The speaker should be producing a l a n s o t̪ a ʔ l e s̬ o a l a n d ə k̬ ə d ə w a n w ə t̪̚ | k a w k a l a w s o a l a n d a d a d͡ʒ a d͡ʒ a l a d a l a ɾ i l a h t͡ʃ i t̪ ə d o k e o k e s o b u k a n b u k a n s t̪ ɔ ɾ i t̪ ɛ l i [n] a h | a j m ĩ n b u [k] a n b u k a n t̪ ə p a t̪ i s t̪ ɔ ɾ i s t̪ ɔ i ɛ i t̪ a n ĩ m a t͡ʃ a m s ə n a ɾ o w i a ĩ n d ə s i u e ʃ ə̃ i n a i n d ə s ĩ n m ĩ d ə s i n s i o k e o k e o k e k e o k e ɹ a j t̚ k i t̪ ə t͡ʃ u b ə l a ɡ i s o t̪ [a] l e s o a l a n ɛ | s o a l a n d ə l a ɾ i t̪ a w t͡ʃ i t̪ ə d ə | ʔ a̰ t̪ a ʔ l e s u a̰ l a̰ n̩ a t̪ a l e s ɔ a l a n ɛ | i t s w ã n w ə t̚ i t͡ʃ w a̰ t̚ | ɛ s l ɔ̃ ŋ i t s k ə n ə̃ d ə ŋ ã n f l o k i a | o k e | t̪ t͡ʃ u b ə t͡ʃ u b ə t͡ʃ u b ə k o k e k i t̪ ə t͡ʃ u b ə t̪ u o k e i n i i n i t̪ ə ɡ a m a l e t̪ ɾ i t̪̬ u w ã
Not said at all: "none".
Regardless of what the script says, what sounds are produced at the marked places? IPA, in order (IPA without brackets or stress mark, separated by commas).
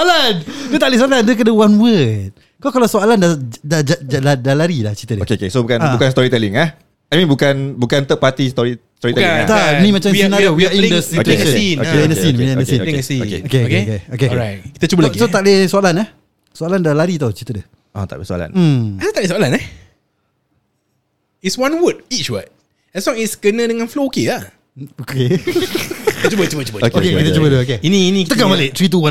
ŋ, k, a